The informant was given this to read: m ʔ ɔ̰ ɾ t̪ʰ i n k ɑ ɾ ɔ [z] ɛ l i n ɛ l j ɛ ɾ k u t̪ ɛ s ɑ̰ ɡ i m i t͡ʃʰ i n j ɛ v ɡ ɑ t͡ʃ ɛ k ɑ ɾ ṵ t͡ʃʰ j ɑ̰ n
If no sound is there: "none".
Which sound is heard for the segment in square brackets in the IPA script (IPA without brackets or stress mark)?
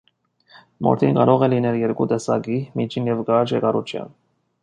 ʁ